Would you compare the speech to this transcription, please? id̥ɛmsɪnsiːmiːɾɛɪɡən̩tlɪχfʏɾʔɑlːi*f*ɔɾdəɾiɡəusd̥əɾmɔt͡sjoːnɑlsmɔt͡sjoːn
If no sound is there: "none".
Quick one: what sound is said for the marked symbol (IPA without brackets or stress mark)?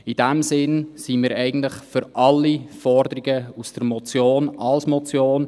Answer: f